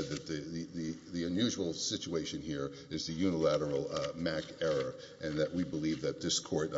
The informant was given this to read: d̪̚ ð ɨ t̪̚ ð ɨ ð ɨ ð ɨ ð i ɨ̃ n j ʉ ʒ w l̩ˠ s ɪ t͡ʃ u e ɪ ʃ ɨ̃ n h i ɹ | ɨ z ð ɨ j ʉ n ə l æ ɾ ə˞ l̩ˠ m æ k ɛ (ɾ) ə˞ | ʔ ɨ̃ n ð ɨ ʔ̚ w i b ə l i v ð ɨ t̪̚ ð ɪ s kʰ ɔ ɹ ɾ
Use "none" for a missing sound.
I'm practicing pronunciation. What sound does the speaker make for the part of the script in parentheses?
ɹ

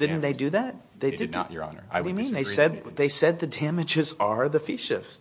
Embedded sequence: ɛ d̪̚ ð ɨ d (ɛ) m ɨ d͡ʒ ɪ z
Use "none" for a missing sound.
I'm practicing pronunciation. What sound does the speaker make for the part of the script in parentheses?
æ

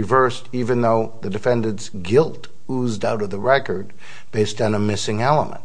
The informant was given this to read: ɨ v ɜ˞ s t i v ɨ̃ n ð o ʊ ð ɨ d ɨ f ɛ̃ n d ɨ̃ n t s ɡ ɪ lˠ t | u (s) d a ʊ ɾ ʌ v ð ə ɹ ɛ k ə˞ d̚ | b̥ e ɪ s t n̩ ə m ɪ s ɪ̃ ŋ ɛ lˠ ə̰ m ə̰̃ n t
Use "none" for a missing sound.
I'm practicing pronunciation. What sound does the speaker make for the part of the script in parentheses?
z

